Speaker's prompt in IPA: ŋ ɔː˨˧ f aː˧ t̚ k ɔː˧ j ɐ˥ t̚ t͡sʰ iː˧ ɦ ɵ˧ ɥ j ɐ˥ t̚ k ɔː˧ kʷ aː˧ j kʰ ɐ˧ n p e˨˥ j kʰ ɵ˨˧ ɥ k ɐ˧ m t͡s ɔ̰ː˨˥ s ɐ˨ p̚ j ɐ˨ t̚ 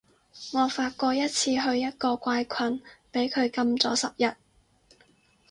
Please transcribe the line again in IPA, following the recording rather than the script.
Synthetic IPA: ŋ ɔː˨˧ f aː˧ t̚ k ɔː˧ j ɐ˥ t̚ t͡sʰ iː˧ ɦ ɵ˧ ɥ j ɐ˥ t̚ k ɔː˧ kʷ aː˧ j kʰ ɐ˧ n p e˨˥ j kʰ ɵ˨˧ ɥ k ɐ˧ m t͡s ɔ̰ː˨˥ s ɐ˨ p̚ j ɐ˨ t̚